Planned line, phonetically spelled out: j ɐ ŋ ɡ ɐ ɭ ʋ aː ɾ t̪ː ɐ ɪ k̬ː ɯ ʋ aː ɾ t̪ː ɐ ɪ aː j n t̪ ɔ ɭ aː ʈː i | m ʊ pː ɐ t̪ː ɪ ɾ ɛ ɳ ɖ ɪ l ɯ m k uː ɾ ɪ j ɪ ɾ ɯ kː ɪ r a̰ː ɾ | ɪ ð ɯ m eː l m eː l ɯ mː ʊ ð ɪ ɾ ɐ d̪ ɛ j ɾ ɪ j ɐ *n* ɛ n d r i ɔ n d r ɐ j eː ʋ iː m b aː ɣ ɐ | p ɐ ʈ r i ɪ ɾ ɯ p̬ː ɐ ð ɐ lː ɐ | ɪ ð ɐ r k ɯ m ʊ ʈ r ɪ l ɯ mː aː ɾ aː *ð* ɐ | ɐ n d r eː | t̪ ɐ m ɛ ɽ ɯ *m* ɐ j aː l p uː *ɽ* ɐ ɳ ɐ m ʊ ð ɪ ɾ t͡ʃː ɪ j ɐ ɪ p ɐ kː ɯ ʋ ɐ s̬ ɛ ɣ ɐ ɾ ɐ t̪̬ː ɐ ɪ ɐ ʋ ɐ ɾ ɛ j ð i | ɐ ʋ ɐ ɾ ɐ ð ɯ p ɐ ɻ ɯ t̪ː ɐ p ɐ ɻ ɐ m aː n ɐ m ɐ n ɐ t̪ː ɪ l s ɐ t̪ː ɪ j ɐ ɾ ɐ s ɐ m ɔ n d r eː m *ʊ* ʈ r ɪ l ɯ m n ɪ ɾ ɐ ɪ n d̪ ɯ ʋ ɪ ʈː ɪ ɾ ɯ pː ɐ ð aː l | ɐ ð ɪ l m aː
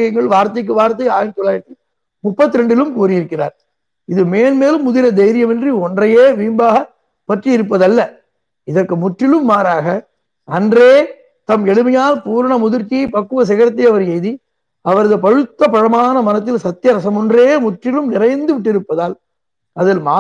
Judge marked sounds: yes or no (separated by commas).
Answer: no, no, yes, no, yes